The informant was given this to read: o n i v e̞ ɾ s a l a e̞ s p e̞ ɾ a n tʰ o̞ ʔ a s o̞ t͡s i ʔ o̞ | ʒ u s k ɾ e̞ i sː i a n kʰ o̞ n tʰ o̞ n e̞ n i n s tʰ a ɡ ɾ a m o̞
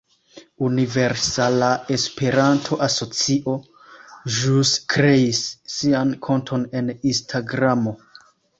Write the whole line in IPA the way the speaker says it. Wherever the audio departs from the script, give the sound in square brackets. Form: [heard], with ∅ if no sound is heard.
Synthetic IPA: [u] n i v e̞ ɾ s a l a e̞ s p e̞ ɾ a n tʰ o̞ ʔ a s o̞ t͡s i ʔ o̞ | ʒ u s k ɾ e̞ i sː i a n kʰ o̞ n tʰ o̞ n e̞ n i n s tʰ a ɡ ɾ a m o̞